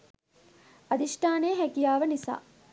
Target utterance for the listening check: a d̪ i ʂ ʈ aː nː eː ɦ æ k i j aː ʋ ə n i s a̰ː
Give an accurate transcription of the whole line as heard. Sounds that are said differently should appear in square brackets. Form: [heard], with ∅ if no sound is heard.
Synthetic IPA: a d̪ i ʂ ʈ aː [n] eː ɦ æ k i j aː ʋ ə n i s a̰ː